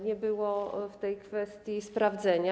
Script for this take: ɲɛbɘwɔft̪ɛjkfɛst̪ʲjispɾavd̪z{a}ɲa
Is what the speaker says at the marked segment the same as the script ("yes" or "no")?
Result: no